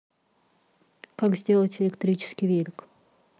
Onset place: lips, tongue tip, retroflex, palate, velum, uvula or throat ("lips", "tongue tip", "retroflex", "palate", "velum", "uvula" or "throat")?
velum